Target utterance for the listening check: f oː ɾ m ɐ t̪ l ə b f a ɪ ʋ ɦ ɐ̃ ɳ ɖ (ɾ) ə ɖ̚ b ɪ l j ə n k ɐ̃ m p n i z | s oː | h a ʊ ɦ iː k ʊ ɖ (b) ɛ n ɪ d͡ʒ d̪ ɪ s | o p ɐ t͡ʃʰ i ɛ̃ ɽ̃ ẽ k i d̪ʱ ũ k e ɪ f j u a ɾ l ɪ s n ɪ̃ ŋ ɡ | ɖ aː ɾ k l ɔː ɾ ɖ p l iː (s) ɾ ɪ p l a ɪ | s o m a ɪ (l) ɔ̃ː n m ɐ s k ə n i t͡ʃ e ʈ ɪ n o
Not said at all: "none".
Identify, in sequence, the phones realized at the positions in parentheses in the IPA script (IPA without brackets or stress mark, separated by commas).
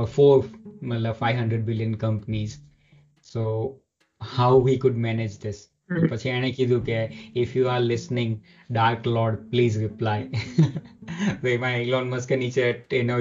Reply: ɾ, m, z, l